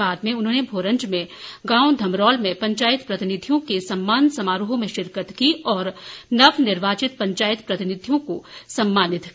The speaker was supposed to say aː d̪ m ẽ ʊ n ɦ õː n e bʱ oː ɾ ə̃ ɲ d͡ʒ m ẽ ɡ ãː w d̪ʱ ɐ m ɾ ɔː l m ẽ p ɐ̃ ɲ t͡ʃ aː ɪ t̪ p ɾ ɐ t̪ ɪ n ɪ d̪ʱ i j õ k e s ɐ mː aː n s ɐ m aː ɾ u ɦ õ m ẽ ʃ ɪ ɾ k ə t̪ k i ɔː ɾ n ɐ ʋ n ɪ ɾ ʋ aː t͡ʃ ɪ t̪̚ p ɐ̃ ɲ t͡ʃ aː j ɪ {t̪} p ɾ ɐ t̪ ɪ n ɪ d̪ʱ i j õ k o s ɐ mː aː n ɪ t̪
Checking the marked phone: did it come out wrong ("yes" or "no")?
no